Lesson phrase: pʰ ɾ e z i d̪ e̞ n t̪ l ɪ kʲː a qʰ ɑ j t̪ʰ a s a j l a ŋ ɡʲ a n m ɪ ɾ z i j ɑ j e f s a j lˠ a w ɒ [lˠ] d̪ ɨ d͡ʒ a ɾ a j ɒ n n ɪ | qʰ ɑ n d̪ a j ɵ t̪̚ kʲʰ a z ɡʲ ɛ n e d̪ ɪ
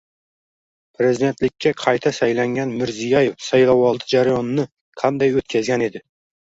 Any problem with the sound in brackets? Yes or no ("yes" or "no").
no